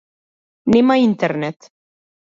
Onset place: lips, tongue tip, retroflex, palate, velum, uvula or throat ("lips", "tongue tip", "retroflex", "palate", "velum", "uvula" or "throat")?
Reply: tongue tip